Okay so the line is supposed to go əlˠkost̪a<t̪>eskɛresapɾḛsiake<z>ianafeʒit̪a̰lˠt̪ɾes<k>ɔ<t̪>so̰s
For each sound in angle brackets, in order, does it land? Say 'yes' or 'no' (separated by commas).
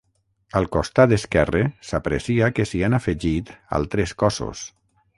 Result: no, no, yes, no